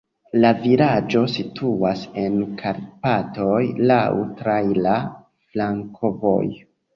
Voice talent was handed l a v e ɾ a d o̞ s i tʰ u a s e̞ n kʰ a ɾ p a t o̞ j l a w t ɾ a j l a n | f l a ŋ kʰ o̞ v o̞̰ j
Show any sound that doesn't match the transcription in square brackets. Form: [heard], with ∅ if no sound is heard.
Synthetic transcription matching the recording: l a v [i] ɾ a [d͡ʒ] o̞ s i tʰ u a s e̞ n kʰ a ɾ p a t o̞ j l a w t ɾ a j l a [∅] | f l a ŋ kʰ o̞ v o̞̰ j